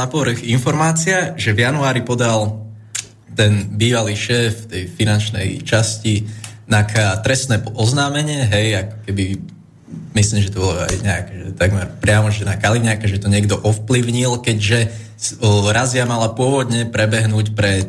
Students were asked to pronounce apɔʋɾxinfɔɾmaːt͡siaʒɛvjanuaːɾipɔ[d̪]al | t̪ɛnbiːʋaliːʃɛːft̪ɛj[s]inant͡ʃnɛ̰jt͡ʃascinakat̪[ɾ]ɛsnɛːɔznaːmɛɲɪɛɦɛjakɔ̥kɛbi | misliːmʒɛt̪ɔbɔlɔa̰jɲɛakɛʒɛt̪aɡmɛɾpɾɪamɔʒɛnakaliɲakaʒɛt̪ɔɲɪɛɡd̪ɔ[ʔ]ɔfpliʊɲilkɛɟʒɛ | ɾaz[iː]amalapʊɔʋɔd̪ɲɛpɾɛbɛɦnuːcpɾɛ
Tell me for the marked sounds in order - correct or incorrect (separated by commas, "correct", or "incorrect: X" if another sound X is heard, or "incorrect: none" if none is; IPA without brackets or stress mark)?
correct, incorrect: f, correct, correct, incorrect: i